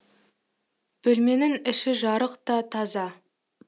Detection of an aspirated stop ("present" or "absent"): present